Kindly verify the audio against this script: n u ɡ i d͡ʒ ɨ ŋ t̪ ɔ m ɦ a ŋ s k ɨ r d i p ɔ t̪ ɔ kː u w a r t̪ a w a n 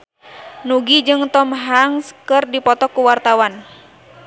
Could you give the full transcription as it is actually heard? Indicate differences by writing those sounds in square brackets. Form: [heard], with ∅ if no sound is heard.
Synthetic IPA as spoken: n u ɡ i d͡ʒ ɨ ŋ t̪ ɔ m ɦ a ŋ s k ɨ r d i p ɔ t̪ ɔ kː u w a r t̪ a w a n

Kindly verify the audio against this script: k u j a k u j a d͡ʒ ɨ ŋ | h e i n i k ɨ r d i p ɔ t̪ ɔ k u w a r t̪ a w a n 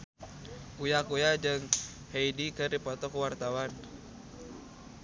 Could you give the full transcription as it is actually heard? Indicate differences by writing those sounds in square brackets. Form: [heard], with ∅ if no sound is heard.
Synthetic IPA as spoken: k u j a k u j a d͡ʒ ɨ ŋ | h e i [d] i k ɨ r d i p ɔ t̪ ɔ k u w a r t̪ a w a n

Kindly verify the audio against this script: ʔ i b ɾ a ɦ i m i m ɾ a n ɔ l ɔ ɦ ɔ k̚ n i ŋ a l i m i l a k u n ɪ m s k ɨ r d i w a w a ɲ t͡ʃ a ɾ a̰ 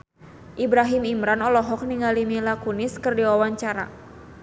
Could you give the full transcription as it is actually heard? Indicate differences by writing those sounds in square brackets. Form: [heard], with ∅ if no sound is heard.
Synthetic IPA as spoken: ʔ i b ɾ a ɦ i m i m ɾ a n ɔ l ɔ ɦ ɔ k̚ n i ŋ a l i m i l a k u n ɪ [∅] s k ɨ r d i w a w a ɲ t͡ʃ a ɾ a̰

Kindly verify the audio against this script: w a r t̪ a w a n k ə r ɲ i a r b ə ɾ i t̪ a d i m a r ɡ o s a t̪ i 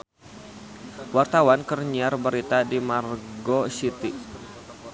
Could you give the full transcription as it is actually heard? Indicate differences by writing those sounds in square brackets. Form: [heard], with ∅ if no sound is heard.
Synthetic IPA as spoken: w a r t̪ a w a n k ə r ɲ i a r b ə ɾ i t̪ a d i m a r ɡ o s [i] t̪ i

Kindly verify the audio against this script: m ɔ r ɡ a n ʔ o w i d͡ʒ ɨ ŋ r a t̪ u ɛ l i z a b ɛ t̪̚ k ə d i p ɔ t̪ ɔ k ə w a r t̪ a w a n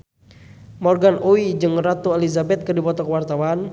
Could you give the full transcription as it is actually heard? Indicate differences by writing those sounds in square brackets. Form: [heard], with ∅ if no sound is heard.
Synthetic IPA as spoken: m ɔ r ɡ a n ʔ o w i d͡ʒ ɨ ŋ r a t̪ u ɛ l i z a b ɛ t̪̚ k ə d i p ɔ t̪ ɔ k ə w a r t̪ a w a n

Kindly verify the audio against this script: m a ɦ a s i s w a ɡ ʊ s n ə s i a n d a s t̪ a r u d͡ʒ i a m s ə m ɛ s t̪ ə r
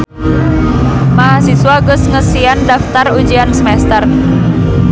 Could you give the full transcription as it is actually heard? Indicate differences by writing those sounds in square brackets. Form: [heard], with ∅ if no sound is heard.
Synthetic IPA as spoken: m a ɦ a s i s w a ɡ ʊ s [ŋ] ə s i a n d a [f] t̪ a r u d͡ʒ i a [n] s ə m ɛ s t̪ ə r

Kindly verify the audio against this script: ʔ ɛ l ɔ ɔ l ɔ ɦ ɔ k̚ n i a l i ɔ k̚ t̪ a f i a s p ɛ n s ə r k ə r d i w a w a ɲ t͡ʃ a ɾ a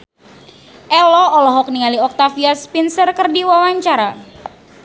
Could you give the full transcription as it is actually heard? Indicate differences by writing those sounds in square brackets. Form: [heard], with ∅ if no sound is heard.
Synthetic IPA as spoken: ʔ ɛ l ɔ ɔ l ɔ ɦ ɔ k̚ n i a l i ɔ k̚ t̪ a f i a s p [i] n s ə r k ə r d i w a w a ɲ t͡ʃ a ɾ a

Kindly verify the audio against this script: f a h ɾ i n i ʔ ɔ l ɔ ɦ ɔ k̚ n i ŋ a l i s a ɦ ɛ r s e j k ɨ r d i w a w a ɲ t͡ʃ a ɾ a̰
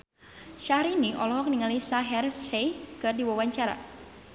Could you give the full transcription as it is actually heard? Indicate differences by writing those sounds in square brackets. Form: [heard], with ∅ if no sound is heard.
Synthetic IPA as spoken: [ʃ] a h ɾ i n i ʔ ɔ l ɔ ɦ ɔ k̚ n i ŋ a l i s a ɦ ɛ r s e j k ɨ r d i w a w a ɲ t͡ʃ a ɾ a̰

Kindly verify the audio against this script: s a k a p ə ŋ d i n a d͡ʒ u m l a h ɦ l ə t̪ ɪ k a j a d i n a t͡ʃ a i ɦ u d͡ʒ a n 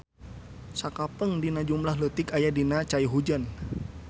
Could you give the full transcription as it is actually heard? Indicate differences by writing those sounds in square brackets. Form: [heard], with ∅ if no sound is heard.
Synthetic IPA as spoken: s a k a p ə ŋ d i n a d͡ʒ u m l a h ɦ l ə t̪ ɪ k a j a d i n a t͡ʃ a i ɦ u d͡ʒ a n

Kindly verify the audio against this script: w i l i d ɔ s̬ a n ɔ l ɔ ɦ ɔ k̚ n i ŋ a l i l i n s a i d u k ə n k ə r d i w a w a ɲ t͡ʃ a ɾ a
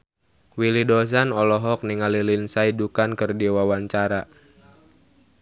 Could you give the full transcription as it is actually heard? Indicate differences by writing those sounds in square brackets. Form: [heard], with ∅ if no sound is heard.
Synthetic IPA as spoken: w i l i d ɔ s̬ a n ɔ l ɔ ɦ ɔ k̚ n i ŋ a l i l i n s a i d u k [a] n k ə r d i w a w a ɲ t͡ʃ a ɾ a

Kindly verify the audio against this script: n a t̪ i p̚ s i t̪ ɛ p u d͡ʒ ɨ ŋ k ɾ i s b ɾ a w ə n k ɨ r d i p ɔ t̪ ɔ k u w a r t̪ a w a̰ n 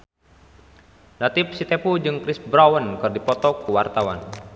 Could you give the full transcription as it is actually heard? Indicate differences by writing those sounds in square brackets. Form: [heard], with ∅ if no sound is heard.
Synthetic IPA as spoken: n a t̪ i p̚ s i t̪ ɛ p u d͡ʒ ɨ ŋ k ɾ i s b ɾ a w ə n k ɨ r d i p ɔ t̪ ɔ k u w a r t̪ a w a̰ n

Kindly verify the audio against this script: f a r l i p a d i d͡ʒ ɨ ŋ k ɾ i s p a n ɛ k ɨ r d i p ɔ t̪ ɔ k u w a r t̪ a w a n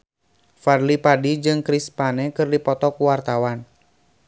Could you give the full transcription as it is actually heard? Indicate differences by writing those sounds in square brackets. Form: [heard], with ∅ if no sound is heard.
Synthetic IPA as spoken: f a r l i p a d i d͡ʒ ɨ ŋ k ɾ i s p a n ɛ k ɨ r d i p ɔ t̪ ɔ k u w a r t̪ a w a n

